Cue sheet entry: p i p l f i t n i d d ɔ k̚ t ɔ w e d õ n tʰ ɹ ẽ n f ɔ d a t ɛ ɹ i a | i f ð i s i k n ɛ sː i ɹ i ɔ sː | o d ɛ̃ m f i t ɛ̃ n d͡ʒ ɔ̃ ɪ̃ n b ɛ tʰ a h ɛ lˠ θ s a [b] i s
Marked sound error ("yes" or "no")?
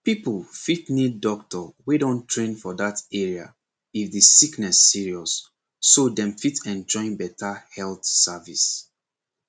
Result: yes